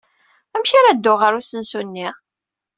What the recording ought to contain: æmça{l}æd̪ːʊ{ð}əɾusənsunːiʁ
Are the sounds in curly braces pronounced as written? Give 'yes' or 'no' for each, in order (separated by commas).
no, no